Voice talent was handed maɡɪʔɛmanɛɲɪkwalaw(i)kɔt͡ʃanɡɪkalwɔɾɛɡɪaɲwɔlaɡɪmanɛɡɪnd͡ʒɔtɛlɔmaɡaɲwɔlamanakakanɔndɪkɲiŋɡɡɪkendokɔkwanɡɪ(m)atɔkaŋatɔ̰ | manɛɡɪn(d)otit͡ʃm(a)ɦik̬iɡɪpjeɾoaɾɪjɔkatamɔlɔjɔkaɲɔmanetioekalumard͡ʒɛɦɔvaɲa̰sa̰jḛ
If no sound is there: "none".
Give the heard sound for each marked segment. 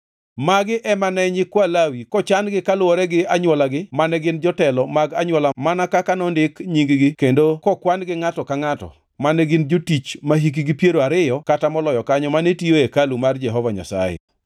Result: i, ŋ, d͡ʒ, a

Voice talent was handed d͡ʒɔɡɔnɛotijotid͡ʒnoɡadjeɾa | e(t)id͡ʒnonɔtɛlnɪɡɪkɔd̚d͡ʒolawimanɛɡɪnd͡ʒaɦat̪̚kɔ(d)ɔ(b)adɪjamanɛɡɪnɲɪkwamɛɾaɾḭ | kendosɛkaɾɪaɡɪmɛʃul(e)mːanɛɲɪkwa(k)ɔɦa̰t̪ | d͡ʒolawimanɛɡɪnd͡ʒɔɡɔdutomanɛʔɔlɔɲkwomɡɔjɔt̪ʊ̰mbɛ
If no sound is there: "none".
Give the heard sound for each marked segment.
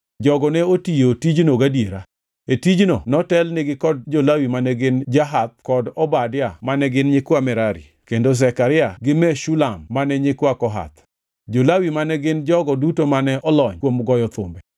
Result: t, d, b, a, k

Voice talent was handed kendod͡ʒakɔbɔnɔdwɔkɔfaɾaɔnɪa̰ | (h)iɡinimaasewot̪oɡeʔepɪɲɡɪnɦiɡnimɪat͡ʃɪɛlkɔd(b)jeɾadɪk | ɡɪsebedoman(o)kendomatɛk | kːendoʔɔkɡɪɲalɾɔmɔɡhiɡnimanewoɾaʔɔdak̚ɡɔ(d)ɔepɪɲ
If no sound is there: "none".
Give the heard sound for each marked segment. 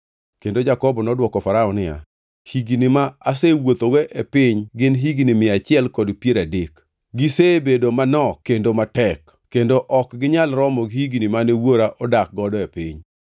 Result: h, p, ɔ, d

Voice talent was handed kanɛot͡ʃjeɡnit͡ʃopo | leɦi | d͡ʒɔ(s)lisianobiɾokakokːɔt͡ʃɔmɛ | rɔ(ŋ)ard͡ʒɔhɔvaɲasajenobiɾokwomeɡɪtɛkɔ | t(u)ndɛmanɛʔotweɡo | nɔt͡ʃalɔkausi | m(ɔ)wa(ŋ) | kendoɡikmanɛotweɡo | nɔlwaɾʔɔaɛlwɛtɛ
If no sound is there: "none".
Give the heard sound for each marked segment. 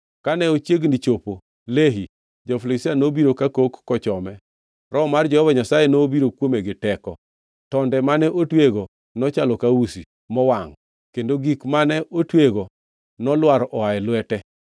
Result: f, m, ɔ, ɔ, ŋ

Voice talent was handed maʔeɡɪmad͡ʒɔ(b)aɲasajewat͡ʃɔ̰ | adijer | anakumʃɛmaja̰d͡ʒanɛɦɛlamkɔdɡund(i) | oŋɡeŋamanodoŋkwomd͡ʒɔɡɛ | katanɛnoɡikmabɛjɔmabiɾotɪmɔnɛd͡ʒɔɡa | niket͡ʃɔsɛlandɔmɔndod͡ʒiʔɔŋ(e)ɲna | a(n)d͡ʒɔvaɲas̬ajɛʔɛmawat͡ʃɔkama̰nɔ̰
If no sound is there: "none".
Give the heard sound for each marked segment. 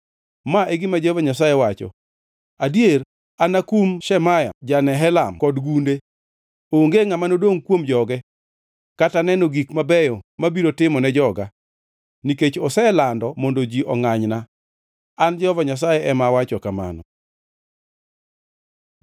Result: v, e, a, n

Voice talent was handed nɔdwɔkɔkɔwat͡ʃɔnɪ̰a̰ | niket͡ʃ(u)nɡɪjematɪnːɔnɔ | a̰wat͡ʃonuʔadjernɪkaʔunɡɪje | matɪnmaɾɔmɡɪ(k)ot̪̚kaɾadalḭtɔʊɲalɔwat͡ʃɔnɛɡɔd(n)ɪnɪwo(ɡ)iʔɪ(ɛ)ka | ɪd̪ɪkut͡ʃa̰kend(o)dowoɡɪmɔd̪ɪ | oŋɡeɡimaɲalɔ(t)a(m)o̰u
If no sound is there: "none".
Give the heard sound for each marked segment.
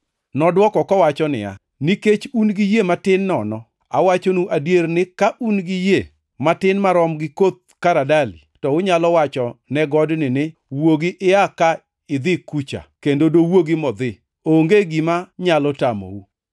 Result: u, k, n, ɡ, a, o, t, m

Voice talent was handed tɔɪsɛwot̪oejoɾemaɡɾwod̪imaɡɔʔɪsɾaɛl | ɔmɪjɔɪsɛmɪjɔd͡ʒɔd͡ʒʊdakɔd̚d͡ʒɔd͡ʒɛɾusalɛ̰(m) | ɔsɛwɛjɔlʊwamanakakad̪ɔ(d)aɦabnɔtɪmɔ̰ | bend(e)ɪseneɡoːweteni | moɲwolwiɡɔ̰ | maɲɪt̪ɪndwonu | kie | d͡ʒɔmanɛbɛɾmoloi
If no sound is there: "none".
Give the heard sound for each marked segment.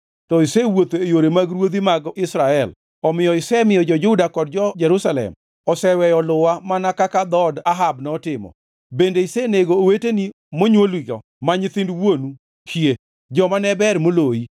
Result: m, d, e

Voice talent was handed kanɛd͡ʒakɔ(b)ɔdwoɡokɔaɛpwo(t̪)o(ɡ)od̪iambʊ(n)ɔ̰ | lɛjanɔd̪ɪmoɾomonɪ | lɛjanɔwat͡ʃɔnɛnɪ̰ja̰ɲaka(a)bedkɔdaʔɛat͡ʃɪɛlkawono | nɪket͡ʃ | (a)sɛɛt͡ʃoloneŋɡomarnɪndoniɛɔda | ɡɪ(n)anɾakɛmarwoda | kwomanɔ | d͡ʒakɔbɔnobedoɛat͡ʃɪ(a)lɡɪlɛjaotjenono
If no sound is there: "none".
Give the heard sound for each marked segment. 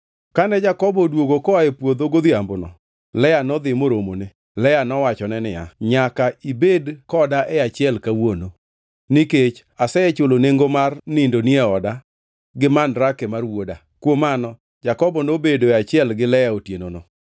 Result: b, d̪, ɡ, n, i, a, m, ɛ

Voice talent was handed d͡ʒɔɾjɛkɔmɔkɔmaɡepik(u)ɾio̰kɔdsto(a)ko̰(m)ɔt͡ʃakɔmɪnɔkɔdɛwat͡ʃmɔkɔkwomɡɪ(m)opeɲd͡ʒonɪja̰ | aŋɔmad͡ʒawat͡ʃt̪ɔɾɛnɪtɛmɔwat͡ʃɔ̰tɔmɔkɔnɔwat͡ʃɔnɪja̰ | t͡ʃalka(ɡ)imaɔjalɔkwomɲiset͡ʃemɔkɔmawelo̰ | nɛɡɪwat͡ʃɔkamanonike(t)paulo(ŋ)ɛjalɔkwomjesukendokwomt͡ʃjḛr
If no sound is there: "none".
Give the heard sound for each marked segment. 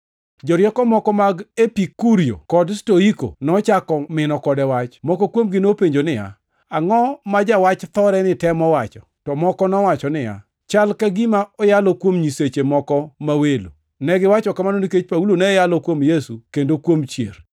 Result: u, i, n, n, ɡ, t͡ʃ, n

